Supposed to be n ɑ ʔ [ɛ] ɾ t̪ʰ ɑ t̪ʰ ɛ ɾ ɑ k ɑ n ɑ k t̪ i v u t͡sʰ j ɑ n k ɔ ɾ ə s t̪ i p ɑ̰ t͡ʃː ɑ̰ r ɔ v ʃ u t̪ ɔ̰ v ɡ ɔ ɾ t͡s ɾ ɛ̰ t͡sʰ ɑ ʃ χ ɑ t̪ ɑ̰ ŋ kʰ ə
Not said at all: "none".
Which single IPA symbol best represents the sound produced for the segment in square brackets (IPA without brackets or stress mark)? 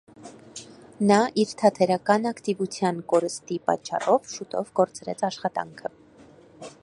i